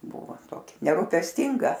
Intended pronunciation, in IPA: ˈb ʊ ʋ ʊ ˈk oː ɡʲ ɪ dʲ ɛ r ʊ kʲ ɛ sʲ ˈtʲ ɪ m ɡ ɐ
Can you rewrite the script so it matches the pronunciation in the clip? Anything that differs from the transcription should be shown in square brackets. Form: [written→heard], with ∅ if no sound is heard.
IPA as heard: ˈb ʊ ʋ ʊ [ˈk→ˈt] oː [ɡʲ→kʲ] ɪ [dʲ→nʲ] ɛ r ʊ [kʲ→pʲ] ɛ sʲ ˈtʲ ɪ [m→ŋ] ɡ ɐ